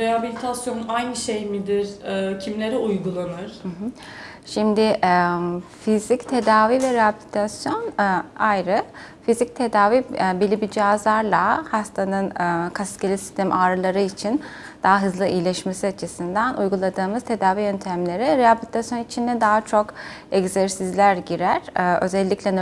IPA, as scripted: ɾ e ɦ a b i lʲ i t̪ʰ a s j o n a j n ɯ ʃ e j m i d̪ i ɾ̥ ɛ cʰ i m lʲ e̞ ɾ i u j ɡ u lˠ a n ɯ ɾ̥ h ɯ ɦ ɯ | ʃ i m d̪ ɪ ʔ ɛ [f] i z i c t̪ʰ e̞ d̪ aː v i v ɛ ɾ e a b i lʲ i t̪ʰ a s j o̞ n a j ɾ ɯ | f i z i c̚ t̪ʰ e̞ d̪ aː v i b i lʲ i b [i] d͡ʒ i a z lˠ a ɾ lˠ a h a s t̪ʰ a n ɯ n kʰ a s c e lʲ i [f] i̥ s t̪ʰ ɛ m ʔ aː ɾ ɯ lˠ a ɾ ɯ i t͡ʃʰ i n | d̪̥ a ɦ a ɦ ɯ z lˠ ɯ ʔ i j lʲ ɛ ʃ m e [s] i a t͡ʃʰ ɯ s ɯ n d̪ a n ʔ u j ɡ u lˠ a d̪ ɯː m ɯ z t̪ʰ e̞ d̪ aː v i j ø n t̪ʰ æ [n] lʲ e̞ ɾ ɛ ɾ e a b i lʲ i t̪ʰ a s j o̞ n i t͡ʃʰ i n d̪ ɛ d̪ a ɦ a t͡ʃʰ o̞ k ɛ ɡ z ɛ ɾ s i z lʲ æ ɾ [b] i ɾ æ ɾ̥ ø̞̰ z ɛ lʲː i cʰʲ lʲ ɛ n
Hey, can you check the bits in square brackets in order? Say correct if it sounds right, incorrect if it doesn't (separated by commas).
correct, correct, incorrect, correct, incorrect, incorrect